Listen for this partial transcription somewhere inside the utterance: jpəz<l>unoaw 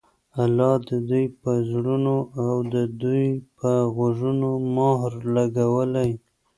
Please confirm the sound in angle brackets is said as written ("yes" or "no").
no